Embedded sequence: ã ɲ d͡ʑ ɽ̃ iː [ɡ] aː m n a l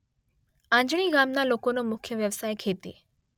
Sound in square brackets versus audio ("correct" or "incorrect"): correct